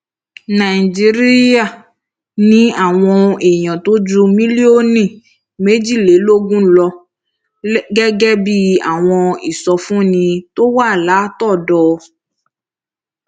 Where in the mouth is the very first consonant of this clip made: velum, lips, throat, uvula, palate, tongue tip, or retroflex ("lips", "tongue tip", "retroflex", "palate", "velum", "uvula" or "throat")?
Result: tongue tip